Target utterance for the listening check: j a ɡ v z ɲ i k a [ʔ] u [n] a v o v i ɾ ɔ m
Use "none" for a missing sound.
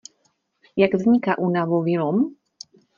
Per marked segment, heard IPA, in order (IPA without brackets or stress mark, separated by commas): ʔ, n